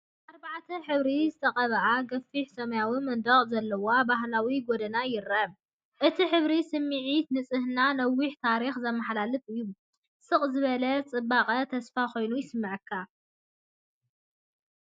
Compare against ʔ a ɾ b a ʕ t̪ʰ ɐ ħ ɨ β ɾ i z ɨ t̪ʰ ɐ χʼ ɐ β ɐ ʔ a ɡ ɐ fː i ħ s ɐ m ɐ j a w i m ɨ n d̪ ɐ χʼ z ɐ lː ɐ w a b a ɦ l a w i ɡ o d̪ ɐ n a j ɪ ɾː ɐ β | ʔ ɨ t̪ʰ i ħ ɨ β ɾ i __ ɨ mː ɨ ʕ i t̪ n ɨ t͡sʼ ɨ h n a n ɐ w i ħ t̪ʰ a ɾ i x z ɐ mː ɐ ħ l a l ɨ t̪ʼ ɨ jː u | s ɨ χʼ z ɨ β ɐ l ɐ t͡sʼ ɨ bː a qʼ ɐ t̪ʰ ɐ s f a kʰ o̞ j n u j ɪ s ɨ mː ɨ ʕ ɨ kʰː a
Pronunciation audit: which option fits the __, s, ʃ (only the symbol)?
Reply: s